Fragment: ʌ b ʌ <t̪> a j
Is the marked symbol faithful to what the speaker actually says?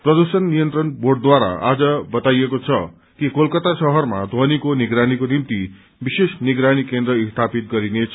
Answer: yes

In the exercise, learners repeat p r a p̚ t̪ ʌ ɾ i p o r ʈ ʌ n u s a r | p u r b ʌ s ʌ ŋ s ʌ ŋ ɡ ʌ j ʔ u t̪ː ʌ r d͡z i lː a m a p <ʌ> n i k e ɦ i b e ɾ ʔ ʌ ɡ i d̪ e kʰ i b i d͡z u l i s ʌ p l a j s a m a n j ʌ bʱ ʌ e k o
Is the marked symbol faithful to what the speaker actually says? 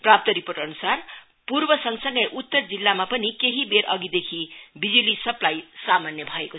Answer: yes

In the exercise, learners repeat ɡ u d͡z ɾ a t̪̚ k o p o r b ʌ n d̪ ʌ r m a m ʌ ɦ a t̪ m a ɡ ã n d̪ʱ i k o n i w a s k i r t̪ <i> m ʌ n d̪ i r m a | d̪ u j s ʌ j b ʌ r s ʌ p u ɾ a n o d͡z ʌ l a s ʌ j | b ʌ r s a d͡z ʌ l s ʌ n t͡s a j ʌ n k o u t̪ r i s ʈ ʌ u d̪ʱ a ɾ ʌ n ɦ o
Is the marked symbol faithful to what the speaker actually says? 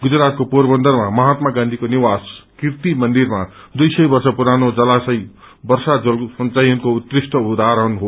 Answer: yes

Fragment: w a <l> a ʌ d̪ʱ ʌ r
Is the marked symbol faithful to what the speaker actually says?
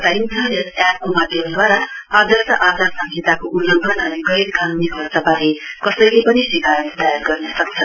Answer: no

